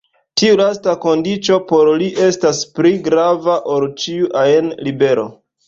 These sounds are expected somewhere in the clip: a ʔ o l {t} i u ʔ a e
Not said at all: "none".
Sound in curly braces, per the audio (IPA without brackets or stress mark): t͡ʃ